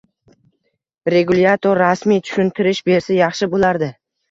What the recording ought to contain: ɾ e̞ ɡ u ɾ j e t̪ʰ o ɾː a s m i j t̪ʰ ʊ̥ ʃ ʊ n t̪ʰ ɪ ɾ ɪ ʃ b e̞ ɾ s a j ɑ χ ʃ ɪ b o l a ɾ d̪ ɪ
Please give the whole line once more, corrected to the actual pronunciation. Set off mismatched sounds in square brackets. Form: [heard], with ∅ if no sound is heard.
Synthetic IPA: ɾ e̞ ɡ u [l] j [a] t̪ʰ o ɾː a s m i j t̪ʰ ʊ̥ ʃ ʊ n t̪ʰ ɪ ɾ ɪ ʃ b e̞ ɾ s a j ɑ χ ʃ ɪ b o l a ɾ d̪ ɪ